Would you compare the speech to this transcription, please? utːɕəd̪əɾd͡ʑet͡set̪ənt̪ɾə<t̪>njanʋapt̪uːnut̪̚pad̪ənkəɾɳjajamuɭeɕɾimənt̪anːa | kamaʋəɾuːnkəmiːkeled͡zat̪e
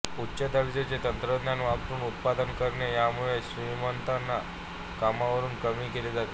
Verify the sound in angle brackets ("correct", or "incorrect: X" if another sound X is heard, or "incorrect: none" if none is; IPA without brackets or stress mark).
incorrect: d̪